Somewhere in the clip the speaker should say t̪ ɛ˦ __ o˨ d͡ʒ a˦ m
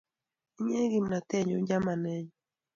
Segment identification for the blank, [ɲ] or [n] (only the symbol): ɲ